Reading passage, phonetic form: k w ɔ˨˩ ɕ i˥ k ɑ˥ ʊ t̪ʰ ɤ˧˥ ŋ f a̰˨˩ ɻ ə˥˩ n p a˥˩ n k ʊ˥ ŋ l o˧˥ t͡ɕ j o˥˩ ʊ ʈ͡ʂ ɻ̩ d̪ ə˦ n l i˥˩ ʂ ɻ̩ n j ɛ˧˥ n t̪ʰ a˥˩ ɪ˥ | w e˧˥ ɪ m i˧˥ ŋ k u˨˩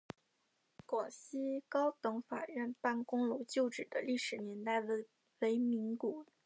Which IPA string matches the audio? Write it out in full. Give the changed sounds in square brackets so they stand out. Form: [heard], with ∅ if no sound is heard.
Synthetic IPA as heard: k w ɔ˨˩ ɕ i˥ k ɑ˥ ʊ [t̪] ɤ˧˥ ŋ f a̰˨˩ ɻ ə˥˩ n p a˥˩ n k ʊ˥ ŋ l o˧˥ t͡ɕ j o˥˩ ʊ ʈ͡ʂ ɻ̩ d̪ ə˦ [∅] l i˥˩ ʂ ɻ̩ n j ɛ˧˥ n [t̪] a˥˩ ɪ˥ | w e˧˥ ɪ m i˧˥ ŋ k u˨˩